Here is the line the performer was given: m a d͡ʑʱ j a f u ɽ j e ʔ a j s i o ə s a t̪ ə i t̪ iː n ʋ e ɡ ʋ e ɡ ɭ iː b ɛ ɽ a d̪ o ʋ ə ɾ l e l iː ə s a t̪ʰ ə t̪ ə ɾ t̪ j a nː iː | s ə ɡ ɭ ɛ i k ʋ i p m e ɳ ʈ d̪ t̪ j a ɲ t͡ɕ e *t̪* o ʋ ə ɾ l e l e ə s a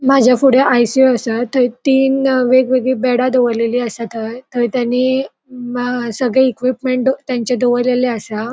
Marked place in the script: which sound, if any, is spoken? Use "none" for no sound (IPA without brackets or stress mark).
d̪